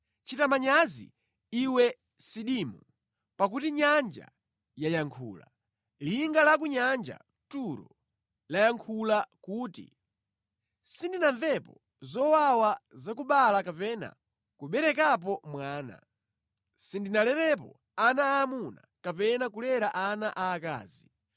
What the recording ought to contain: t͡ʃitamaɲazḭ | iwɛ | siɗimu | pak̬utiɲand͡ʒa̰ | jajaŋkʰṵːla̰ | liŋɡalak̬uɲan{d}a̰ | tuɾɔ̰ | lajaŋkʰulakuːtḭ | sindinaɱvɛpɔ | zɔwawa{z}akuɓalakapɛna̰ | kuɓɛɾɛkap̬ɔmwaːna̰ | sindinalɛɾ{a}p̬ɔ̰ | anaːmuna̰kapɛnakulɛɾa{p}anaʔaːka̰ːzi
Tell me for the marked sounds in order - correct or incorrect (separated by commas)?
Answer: incorrect, correct, incorrect, incorrect